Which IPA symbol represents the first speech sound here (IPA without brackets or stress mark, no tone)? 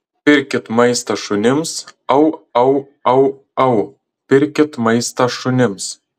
pʲ